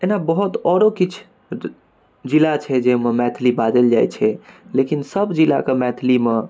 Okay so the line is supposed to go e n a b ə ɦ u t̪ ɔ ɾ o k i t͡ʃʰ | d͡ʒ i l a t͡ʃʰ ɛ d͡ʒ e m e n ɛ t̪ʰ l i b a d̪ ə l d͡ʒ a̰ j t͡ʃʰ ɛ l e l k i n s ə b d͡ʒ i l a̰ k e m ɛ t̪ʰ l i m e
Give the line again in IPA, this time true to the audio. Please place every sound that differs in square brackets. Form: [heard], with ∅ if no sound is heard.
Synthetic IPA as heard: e n a b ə ɦ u t̪ ɔ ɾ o k i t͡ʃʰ | d͡ʒ i l a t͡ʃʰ ɛ d͡ʒ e m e [m] ɛ t̪ʰ l i b a d̪ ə l d͡ʒ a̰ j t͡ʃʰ ɛ l e [∅] k i n s ə b d͡ʒ i l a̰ k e m ɛ t̪ʰ l i m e